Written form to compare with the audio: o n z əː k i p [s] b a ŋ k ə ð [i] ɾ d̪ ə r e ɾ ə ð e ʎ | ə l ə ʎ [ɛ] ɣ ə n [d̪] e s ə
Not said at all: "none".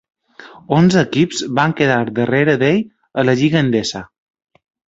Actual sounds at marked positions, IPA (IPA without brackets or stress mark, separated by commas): z, a, i, d̪